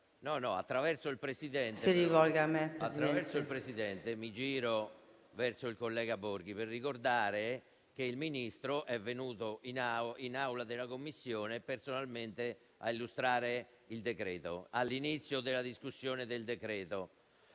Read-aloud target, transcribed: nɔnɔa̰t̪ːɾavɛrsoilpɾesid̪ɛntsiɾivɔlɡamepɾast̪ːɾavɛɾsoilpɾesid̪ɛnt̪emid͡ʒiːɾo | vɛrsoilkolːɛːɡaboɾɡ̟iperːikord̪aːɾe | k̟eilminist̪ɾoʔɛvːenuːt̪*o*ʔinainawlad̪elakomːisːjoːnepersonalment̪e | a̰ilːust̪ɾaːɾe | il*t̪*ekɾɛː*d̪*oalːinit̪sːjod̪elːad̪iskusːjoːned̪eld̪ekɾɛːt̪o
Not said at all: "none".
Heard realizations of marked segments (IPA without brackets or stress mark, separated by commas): o, d̪, t̪